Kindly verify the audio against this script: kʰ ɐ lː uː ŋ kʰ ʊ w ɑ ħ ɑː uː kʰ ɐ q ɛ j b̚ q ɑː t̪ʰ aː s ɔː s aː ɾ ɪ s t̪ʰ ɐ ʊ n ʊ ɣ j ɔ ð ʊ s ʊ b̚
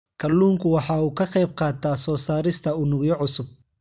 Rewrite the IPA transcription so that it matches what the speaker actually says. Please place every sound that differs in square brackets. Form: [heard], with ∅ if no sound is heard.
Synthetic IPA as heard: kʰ ɐ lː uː ŋ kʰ ʊ w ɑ ħ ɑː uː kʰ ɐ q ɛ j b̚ q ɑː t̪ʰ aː s ɔː s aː ɾ ɪ s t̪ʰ ɐ ʊ n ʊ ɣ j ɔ [ʕ] ʊ s ʊ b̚